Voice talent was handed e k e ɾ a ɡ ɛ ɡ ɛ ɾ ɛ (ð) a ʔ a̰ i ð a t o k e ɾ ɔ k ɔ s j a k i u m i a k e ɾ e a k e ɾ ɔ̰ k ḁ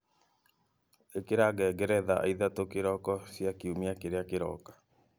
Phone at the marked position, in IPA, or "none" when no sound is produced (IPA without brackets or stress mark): ð